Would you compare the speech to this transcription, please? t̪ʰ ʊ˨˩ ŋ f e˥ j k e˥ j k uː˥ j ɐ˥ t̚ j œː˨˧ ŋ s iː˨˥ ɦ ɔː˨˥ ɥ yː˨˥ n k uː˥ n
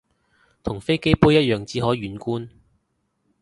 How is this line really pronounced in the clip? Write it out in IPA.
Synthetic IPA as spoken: t̪ʰ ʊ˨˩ ŋ f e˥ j k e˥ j p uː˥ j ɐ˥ t̚ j œː˨˧ ŋ t͡s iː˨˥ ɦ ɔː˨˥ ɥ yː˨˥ n k uː˥ n